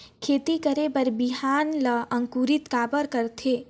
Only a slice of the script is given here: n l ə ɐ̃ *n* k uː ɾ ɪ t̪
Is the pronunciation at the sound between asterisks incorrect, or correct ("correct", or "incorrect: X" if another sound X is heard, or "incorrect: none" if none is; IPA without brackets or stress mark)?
incorrect: ŋ